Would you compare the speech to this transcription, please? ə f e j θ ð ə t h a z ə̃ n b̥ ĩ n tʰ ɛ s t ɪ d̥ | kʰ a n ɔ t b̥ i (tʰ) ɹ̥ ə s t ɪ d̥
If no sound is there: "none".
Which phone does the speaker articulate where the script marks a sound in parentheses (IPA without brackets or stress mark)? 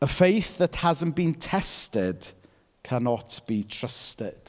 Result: tʰ